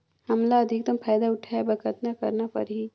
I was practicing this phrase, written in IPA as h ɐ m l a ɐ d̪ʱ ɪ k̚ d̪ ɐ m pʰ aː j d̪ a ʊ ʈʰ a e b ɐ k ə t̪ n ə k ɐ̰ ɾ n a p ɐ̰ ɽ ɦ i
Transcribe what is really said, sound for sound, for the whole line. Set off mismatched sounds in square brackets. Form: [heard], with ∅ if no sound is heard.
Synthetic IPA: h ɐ m l a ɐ d̪ʱ ɪ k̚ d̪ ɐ m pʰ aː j d̪ a ʊ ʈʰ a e b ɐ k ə t̪ n [a] k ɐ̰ ɾ n a p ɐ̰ [ɾ] ɦ i